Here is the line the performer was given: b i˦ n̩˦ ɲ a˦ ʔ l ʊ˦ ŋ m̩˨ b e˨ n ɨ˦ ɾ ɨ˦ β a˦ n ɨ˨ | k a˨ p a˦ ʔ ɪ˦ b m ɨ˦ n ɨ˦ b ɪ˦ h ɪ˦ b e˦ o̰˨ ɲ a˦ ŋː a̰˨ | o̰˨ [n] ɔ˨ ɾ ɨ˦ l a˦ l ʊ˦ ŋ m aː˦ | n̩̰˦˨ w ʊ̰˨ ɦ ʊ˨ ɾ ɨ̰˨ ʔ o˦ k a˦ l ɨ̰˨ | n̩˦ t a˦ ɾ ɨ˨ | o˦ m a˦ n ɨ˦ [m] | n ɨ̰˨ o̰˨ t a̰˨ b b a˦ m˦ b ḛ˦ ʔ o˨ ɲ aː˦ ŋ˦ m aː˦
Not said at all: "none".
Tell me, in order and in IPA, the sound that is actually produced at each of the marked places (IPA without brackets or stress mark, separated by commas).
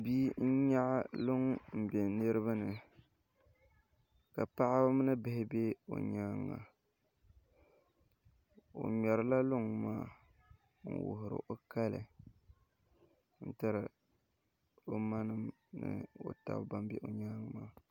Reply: ɲ, m